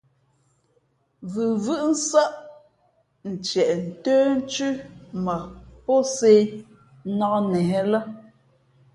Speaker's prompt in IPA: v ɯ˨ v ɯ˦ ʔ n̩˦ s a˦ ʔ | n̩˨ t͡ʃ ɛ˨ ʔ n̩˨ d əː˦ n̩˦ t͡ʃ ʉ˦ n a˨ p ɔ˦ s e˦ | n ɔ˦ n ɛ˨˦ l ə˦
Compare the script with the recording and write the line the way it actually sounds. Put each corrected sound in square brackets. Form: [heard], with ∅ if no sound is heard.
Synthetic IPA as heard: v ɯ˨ v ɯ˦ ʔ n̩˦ s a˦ ʔ | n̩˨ t͡ʃ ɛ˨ ʔ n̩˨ [t] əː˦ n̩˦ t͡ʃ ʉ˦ [m] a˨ p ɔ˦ s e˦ | n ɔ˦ n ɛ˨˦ l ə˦